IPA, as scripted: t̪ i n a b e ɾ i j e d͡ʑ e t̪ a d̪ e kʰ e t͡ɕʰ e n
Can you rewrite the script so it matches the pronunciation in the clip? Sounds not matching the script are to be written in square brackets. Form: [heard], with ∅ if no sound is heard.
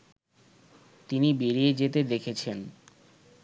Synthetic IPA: t̪ i n [i] b e ɾ i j e d͡ʑ e t̪ [e] d̪ e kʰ e t͡ɕʰ e n